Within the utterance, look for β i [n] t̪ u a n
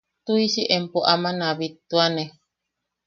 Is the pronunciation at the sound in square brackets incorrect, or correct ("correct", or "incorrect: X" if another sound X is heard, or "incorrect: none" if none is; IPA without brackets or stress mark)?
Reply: incorrect: none